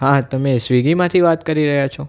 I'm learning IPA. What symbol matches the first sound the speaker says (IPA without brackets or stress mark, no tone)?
ɦ